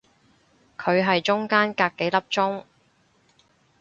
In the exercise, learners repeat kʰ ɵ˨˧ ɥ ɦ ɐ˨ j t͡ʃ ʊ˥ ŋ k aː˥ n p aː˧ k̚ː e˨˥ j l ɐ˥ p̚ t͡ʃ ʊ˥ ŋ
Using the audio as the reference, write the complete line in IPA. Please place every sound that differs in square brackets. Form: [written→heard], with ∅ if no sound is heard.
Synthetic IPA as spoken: kʰ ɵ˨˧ ɥ ɦ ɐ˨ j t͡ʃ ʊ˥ ŋ k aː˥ n [p→k] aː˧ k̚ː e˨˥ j l ɐ˥ p̚ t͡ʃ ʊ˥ ŋ